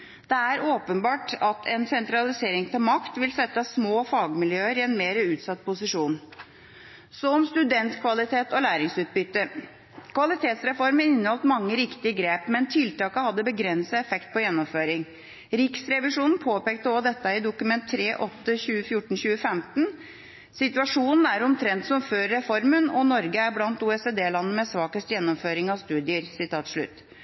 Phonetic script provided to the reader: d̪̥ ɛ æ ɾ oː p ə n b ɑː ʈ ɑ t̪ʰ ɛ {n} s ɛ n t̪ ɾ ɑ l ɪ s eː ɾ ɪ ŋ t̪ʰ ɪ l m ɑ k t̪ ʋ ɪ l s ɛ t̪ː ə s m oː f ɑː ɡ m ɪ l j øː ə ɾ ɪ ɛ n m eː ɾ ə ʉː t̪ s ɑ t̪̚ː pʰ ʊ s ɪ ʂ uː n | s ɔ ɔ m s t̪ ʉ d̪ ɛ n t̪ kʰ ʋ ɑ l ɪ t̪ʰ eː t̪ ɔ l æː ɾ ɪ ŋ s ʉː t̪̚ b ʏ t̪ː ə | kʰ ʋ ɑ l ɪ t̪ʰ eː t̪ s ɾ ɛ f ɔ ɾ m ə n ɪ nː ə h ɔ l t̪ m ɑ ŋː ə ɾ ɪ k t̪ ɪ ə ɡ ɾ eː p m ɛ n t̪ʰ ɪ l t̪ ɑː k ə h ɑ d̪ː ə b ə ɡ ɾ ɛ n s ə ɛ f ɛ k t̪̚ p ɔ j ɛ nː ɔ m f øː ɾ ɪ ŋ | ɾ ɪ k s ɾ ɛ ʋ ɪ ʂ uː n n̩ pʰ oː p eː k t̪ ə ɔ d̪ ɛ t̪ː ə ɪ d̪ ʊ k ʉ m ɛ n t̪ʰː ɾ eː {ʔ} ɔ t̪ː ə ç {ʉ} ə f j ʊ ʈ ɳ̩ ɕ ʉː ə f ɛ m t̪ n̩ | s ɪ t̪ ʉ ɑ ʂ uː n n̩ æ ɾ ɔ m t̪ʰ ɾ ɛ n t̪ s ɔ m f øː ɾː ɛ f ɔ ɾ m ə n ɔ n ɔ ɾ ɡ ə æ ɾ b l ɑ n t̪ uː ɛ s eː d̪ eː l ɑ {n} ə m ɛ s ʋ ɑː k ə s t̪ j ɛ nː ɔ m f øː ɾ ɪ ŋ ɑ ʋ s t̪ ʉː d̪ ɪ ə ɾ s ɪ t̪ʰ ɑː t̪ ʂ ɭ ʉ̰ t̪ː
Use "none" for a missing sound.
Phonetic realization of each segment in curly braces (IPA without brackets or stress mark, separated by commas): n, ʔ, ʉː, nː